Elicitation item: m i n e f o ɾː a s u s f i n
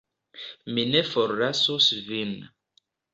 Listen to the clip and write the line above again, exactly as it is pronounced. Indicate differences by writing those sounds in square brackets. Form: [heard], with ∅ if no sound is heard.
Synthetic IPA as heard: m i n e f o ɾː a s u s [v] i n